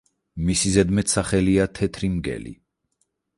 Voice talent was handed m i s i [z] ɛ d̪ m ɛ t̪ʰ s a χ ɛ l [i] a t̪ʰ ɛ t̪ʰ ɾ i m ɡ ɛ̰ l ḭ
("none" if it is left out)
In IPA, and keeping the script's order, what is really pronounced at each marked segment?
z, i

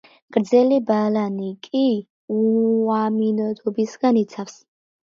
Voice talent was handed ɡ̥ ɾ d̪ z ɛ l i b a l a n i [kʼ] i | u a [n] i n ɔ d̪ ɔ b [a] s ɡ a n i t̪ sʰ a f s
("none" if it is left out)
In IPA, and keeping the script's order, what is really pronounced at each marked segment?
kʼ, m, i

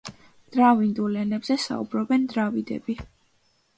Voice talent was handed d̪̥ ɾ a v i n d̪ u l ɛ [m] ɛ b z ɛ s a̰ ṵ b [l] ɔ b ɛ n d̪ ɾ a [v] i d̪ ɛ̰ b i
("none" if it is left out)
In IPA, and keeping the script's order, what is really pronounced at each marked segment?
n, ɾ, v

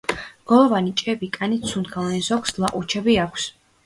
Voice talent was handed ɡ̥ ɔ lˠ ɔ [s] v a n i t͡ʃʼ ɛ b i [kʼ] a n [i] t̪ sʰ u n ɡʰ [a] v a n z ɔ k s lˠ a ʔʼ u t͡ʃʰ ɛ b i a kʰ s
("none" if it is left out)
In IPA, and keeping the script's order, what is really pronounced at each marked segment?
none, kʼ, i, a

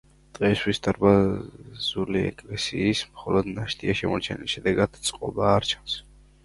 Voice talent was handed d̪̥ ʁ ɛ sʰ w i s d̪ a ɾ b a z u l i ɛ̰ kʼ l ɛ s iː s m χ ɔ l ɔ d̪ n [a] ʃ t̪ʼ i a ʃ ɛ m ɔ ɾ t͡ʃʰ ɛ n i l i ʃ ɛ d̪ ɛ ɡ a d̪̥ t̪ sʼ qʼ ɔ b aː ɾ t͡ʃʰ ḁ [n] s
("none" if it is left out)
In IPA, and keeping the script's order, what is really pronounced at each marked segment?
a, n

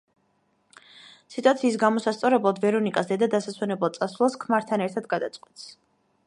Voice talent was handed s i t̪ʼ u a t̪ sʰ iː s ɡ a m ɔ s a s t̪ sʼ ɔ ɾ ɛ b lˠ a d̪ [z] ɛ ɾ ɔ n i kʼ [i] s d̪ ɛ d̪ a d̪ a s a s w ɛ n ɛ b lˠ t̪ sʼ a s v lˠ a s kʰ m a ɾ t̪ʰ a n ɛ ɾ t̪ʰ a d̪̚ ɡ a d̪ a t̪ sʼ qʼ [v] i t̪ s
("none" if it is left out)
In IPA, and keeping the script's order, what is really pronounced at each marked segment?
v, a, w

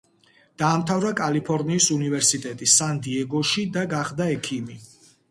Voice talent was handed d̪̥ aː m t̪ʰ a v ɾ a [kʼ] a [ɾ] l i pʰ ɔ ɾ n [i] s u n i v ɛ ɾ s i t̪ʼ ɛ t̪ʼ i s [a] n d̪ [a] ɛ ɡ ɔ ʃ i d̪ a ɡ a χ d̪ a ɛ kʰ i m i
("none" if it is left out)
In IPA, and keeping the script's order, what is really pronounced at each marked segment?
kʼ, none, iː, a, i

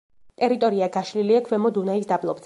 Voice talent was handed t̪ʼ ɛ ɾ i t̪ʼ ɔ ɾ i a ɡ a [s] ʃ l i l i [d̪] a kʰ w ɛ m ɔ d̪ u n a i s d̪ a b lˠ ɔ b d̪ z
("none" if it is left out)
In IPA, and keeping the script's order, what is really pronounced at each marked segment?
none, none

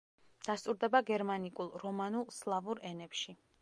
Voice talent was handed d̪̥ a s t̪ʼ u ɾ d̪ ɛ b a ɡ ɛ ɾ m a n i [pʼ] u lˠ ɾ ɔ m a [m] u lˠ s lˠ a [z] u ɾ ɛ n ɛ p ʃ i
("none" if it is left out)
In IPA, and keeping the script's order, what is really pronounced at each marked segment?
kʼ, n, v

